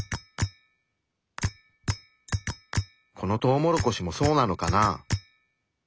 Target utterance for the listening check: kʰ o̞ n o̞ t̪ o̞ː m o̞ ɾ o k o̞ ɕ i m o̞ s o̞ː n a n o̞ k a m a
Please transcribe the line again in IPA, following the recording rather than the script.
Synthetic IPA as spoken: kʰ o̞ n o̞ t̪ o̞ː m o̞ ɾ o k o̞ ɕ i m o̞ s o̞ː n a n o̞ k a n a